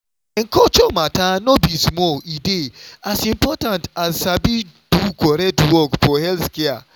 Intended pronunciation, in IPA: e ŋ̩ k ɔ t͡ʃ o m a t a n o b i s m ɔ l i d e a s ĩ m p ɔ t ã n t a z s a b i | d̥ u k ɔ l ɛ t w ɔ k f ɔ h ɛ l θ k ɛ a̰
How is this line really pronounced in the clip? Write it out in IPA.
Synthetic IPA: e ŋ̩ k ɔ t͡ʃ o m a t a n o b i s m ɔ l i d e a s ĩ m p ɔ t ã n t a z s a b i | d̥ u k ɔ ɾ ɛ t w ɔ k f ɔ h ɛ l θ k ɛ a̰